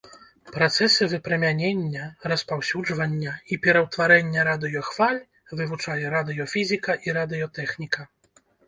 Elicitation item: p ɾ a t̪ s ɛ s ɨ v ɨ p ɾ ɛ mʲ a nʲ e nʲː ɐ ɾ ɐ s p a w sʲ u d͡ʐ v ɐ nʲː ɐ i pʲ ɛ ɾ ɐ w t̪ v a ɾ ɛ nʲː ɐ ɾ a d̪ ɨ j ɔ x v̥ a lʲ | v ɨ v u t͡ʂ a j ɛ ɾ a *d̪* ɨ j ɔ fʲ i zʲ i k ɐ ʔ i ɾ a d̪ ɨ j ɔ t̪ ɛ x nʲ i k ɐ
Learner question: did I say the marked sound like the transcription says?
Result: yes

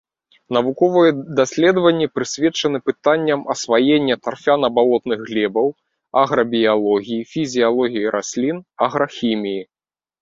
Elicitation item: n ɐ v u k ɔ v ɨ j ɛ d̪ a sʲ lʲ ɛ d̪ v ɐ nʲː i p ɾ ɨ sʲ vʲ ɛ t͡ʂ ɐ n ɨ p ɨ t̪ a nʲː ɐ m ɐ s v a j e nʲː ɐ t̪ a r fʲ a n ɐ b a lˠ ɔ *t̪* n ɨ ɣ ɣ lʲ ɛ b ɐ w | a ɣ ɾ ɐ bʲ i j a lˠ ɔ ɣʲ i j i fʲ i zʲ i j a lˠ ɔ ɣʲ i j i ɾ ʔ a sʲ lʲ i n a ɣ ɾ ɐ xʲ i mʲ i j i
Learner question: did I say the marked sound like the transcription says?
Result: yes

